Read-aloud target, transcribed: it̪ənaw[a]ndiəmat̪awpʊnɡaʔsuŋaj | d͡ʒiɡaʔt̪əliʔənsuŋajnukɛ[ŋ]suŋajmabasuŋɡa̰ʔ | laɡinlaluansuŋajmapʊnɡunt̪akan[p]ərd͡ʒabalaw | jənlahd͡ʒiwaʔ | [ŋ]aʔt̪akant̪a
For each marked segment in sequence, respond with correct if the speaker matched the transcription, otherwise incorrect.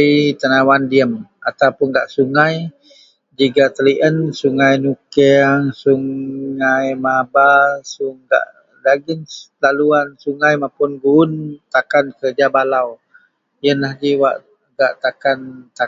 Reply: correct, correct, incorrect, incorrect

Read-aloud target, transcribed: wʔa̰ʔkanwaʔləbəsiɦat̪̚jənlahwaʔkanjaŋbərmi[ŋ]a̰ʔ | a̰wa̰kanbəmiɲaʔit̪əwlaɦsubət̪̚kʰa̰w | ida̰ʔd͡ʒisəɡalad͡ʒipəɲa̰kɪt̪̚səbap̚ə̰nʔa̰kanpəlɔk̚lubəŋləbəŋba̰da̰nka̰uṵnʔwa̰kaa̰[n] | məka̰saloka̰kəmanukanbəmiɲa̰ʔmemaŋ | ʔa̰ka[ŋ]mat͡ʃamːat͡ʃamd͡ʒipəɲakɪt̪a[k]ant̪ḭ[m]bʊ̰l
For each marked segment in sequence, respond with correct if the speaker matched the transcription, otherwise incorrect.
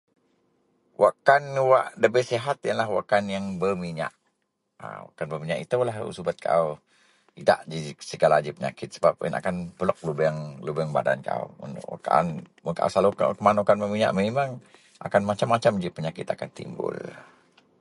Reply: incorrect, correct, incorrect, correct, correct

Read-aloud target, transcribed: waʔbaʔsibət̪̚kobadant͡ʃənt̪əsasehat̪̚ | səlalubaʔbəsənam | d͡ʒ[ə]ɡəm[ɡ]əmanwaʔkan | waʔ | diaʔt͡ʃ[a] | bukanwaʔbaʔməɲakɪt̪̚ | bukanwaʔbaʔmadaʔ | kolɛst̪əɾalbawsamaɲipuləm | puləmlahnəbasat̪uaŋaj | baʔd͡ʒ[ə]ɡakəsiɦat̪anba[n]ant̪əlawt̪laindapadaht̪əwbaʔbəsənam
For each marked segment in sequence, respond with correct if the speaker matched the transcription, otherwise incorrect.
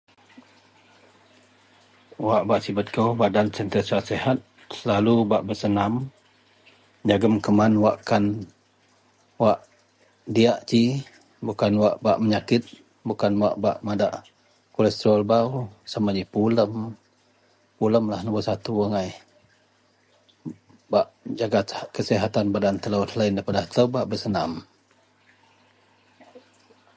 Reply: incorrect, incorrect, incorrect, incorrect, incorrect

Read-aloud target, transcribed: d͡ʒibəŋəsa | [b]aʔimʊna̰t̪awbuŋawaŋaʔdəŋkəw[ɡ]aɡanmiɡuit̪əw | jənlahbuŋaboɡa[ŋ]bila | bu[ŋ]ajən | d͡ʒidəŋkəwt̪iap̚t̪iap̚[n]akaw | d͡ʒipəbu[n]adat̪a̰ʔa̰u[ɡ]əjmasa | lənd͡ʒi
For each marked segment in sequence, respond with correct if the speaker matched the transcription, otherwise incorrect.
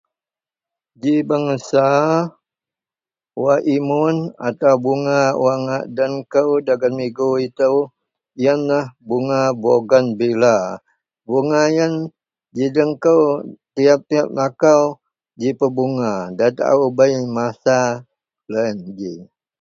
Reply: incorrect, incorrect, incorrect, correct, correct, incorrect, incorrect

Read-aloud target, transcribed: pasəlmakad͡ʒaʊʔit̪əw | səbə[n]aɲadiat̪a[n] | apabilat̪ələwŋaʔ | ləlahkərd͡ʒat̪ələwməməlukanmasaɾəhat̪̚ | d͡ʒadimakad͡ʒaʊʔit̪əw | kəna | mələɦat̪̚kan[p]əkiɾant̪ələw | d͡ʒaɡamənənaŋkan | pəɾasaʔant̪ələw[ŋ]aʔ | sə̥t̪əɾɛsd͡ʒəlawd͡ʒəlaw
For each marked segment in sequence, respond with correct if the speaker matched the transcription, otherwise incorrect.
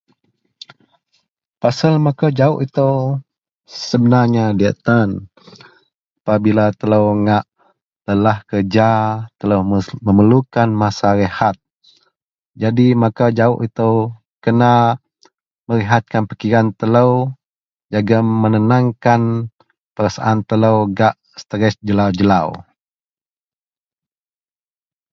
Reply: correct, correct, correct, incorrect

